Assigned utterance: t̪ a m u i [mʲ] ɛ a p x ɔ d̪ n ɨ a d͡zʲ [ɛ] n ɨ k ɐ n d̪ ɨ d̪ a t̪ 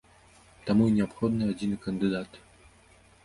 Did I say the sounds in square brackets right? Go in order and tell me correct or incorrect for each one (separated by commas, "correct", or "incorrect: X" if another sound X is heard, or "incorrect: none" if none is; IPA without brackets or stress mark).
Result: incorrect: nʲ, incorrect: i